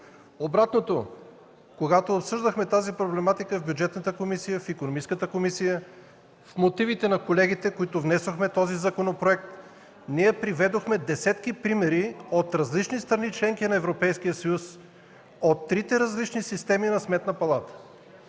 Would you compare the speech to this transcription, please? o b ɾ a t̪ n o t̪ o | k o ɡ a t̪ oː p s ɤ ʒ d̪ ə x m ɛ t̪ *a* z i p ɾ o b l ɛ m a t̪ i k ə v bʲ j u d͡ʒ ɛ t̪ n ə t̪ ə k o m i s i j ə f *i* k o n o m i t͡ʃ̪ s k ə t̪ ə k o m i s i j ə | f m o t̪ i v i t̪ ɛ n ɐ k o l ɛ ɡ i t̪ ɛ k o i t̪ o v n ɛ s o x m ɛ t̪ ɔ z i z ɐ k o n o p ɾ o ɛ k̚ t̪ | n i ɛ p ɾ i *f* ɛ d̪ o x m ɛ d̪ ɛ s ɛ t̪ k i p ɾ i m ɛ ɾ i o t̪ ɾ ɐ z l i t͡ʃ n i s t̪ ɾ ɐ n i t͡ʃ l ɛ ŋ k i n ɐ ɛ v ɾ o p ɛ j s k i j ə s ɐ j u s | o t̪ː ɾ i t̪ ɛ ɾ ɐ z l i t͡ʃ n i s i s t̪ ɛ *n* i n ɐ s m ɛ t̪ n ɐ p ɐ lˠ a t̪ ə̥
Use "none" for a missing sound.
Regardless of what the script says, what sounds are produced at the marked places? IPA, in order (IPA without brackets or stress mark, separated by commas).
a, i, v, m